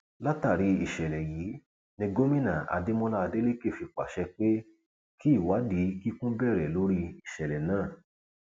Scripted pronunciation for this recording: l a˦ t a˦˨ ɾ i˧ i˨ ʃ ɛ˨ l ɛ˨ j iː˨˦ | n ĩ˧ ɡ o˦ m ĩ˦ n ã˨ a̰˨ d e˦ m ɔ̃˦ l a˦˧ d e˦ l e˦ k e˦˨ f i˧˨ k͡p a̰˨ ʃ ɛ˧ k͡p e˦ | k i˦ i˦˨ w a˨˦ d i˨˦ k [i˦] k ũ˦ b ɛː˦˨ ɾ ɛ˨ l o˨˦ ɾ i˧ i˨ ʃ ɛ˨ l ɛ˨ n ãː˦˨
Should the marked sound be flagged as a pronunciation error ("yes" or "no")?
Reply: no